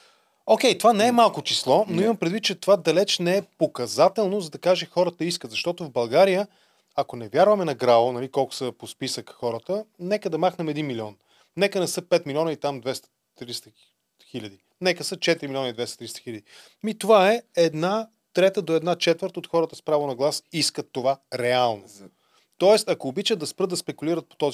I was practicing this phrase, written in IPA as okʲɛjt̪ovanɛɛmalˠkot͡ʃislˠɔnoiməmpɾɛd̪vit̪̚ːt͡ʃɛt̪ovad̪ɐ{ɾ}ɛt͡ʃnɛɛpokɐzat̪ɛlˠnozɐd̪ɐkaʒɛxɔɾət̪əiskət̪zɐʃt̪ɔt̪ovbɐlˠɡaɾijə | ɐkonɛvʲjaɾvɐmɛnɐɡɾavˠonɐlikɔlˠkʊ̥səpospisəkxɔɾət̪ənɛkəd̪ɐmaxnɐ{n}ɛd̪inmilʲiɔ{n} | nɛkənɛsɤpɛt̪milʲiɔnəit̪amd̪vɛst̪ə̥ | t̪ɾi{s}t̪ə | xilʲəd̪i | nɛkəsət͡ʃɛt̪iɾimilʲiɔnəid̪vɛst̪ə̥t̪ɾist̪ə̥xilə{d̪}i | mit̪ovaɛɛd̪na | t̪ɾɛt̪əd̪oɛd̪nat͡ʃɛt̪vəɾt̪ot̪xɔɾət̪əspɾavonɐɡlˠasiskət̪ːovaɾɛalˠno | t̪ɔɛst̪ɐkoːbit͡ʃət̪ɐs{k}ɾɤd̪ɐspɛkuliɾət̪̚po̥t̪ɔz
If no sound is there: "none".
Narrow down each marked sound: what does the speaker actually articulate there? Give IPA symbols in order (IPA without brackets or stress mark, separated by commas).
l, m, n, s, d̪, p